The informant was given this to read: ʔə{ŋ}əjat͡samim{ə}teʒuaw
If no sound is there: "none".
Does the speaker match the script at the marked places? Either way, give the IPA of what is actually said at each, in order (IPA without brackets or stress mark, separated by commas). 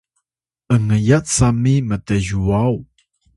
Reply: ŋ, ə